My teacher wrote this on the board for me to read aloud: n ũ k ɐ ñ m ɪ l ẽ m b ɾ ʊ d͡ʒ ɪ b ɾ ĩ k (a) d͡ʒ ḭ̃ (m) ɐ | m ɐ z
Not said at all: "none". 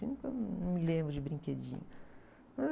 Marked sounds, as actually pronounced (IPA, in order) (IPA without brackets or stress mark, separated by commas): e, ɲ